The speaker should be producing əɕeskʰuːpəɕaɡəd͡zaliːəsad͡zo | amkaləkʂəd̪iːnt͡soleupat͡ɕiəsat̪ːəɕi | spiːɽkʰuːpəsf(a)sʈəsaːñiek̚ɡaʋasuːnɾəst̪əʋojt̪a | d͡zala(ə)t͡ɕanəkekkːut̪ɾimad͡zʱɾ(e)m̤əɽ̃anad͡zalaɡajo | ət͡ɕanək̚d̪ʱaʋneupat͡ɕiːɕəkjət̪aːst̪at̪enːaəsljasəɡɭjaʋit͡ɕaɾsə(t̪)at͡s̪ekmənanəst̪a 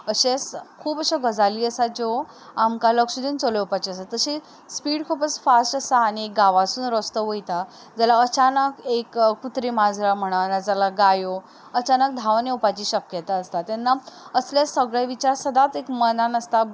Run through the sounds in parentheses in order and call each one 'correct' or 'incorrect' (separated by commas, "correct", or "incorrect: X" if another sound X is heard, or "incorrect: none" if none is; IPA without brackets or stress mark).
correct, correct, incorrect: a, incorrect: d̪